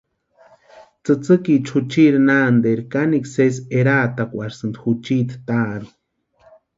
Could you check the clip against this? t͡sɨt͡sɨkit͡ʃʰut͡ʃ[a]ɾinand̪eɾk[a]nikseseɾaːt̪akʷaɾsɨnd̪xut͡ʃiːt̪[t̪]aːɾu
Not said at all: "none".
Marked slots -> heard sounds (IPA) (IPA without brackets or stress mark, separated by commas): i, a, t̪